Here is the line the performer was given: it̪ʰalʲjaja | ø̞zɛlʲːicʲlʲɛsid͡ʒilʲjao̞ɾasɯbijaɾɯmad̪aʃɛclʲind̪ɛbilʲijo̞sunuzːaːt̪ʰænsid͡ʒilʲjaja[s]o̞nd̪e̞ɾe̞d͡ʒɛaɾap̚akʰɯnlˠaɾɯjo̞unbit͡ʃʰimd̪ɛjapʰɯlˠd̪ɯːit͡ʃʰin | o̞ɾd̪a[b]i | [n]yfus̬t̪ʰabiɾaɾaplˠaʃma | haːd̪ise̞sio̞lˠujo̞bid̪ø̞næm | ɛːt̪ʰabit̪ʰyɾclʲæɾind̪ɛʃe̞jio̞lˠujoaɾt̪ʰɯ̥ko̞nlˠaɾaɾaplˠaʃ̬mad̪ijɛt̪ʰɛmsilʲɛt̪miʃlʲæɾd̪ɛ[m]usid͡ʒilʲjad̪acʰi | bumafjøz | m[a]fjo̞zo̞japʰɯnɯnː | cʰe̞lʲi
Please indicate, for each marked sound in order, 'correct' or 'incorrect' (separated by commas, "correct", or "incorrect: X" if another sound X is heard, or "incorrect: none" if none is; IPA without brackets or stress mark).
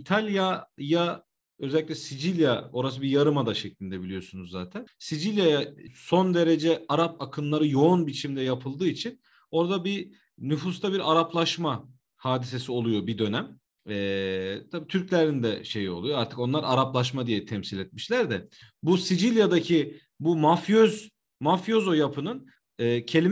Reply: correct, correct, correct, incorrect: b, correct